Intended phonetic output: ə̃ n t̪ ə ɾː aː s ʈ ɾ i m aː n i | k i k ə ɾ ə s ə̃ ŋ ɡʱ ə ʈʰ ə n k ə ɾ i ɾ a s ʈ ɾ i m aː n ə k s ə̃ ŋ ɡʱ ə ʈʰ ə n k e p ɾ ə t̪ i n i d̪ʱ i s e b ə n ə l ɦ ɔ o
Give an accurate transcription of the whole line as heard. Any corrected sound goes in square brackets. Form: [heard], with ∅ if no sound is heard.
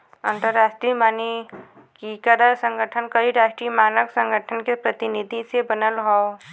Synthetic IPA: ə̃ n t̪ ə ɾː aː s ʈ ɾ i m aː n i | k i k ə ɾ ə s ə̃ ŋ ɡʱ ə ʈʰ ə n k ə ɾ i ɾ a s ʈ ɾ i m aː n ə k s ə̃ ŋ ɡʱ ə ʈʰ ə n k e p ɾ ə t̪ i n i d̪ʱ i s e b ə n ə l ɦ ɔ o